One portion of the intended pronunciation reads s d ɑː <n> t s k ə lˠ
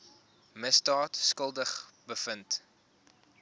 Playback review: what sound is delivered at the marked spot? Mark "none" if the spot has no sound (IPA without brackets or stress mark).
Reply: none